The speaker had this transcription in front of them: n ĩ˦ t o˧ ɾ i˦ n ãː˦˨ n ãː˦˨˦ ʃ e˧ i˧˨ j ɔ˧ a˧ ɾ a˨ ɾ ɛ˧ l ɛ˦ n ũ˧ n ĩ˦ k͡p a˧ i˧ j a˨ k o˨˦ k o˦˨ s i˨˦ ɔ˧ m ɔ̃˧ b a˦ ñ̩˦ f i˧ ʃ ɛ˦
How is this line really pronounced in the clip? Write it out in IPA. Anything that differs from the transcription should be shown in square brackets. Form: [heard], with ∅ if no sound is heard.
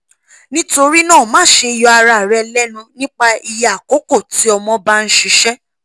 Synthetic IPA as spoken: n ĩ˦ t o˧ ɾ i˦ n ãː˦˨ [m] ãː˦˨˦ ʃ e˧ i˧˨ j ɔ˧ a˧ ɾ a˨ ɾ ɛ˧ l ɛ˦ n ũ˧ n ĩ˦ k͡p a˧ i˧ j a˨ k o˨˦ k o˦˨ [t] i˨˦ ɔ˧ m ɔ̃˧ b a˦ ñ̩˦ [ʃ] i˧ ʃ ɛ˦